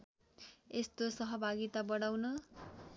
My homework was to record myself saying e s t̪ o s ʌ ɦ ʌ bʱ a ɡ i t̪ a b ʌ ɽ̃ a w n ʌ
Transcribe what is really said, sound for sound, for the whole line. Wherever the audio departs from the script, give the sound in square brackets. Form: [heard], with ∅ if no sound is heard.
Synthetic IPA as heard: e s t̪ o s ʌ ɦ ʌ bʱ a ɡ i t̪ a b ʌ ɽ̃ a w n ʌ